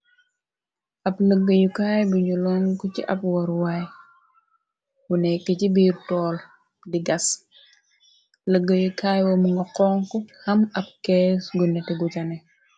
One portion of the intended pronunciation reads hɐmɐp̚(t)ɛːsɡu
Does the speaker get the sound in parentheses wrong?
yes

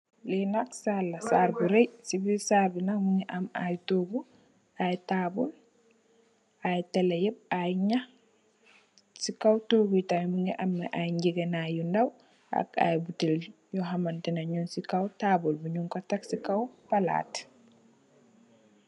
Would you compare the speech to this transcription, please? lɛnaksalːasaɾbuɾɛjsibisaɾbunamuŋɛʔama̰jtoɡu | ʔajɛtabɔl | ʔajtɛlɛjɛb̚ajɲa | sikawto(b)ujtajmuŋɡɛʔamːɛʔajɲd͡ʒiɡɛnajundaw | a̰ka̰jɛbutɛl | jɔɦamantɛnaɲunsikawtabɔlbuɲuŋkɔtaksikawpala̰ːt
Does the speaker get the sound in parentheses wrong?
yes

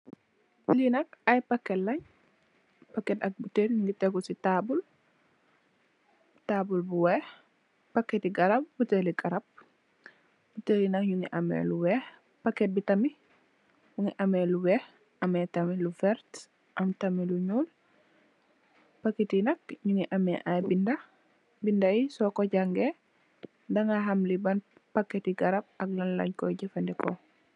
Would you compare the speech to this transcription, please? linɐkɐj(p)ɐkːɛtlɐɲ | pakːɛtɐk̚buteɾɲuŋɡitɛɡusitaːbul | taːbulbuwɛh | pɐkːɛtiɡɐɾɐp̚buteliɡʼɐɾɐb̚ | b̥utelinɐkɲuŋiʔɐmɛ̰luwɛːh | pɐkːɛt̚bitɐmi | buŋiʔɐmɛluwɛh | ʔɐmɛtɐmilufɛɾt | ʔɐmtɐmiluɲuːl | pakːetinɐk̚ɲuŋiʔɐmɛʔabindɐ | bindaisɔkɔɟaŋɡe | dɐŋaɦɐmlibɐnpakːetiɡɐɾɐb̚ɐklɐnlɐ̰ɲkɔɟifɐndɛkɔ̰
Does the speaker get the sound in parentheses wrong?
no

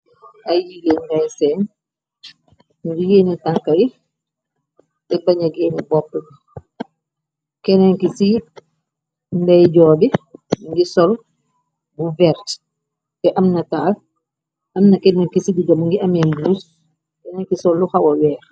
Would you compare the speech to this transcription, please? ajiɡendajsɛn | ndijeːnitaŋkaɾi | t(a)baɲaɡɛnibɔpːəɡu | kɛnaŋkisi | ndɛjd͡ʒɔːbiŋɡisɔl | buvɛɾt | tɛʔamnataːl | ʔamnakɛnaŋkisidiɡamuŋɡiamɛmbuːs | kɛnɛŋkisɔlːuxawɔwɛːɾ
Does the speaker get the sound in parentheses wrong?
yes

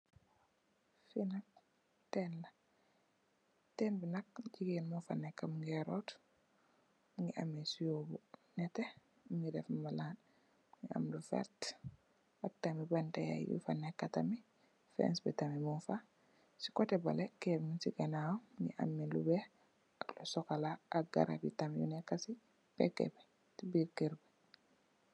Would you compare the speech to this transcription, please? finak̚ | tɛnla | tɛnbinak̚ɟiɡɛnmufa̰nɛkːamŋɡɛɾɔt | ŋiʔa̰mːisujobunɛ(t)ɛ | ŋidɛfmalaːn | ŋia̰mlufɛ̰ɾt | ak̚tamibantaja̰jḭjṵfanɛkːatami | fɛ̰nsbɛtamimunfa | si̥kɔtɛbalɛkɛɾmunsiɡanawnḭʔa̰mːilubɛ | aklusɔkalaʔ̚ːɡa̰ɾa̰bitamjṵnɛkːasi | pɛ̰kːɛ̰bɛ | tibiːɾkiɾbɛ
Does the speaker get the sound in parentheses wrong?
no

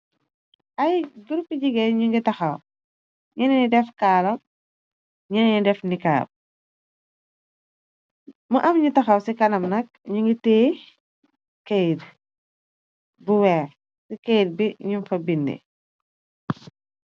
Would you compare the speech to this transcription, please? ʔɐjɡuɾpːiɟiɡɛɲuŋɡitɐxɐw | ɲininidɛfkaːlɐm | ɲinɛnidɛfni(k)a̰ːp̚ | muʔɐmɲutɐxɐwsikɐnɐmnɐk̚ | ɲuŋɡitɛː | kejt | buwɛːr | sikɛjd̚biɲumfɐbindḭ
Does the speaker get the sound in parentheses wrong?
no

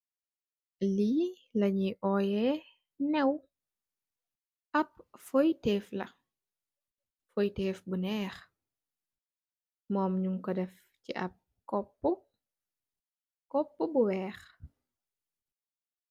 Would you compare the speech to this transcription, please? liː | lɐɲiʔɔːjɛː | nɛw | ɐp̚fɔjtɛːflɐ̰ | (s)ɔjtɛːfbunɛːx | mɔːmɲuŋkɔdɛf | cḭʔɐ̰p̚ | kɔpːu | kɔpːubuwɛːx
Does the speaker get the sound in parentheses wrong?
yes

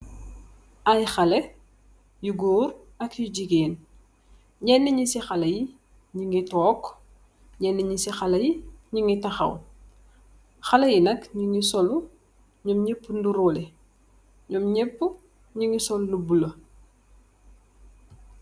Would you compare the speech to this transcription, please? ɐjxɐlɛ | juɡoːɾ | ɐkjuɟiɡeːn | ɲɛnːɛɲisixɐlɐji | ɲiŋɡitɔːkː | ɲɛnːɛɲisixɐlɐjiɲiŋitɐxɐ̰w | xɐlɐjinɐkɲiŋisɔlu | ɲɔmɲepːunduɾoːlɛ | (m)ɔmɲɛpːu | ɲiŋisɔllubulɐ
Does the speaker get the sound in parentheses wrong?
yes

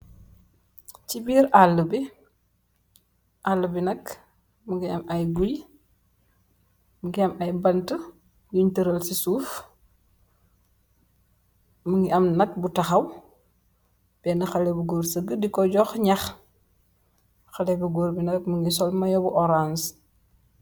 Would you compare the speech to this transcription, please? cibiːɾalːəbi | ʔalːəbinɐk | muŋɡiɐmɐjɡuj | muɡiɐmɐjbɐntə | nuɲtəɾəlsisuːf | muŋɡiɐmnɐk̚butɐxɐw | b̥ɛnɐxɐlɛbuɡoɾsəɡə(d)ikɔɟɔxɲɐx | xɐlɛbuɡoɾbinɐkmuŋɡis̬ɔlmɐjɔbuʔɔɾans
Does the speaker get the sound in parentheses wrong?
no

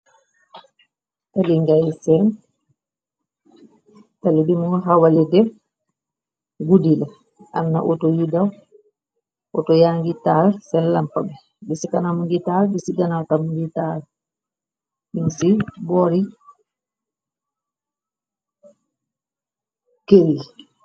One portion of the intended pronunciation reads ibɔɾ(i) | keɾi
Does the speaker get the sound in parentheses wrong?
no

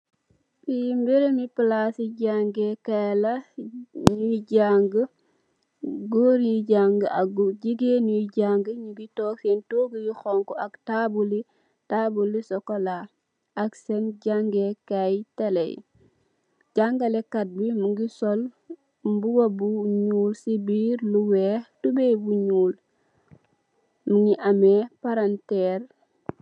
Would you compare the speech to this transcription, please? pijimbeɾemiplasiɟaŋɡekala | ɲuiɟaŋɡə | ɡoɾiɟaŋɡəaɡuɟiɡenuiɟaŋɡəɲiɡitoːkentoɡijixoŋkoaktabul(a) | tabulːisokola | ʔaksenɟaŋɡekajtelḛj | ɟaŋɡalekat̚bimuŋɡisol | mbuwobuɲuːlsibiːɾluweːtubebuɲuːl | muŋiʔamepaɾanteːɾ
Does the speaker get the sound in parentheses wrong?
yes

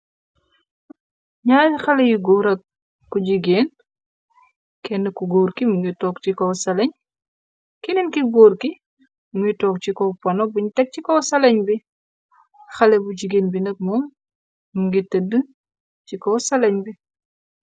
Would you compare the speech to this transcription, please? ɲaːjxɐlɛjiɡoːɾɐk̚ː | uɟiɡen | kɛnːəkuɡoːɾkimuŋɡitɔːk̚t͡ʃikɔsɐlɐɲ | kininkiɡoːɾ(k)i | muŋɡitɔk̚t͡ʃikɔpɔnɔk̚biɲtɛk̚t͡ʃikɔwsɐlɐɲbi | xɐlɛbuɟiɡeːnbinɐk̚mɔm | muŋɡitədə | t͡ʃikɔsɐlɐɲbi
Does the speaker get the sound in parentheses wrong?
no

